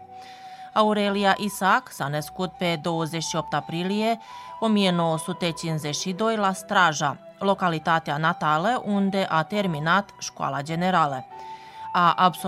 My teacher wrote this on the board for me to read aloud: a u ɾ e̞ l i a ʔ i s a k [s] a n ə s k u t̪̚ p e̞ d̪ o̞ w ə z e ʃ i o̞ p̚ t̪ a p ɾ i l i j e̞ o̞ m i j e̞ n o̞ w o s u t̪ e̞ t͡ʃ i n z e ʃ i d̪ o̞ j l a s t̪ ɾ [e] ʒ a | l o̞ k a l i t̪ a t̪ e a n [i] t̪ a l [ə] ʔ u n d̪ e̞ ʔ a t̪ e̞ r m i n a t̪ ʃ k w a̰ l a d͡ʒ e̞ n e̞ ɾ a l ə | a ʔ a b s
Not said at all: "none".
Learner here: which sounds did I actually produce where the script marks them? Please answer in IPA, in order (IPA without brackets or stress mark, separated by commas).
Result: s, a, a, ə